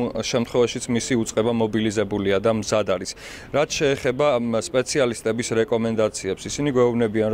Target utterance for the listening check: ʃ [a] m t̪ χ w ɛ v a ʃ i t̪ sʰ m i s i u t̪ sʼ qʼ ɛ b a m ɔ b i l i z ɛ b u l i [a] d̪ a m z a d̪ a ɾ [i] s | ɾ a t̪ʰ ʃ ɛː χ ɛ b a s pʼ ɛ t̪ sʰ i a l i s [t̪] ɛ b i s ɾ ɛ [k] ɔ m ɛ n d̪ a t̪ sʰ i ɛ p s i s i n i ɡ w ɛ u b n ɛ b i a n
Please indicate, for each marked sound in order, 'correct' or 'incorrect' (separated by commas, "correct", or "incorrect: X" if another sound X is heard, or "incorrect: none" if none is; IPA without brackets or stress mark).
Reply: incorrect: ɛ, correct, correct, incorrect: t̪ʼ, incorrect: kʼ